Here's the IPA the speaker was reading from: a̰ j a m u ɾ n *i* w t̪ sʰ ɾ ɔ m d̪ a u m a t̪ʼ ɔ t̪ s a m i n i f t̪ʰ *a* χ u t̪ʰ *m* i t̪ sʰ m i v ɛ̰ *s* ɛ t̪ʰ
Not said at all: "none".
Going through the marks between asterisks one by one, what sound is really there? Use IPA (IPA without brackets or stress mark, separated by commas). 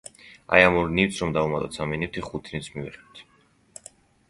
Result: i, i, n, χ